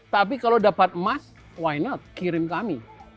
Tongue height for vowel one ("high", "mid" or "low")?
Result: low